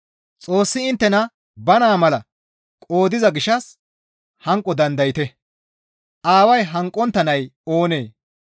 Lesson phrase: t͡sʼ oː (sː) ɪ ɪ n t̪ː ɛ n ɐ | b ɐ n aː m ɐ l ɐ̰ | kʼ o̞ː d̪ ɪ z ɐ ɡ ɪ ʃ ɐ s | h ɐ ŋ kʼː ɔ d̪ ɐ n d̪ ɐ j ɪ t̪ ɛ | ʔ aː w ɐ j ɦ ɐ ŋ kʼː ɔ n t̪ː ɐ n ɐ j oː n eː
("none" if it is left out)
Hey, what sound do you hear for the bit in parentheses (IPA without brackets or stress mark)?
sː